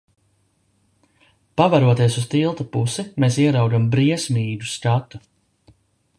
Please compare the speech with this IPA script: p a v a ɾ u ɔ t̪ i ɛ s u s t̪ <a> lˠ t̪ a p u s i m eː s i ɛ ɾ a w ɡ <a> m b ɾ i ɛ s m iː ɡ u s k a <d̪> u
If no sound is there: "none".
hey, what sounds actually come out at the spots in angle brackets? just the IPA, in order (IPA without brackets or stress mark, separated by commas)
i, a, t̪